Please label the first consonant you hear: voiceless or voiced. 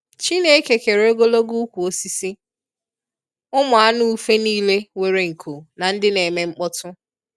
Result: voiceless